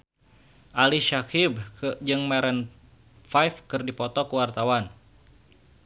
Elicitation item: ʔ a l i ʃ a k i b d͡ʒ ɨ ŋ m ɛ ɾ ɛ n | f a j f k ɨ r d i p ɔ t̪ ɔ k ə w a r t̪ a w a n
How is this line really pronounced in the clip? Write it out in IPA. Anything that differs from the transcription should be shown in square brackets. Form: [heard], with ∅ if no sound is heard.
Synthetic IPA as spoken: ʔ a l i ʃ a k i b d͡ʒ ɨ ŋ m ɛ ɾ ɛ n | f a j f k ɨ r d i p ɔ t̪ ɔ k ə w a r t̪ a w a n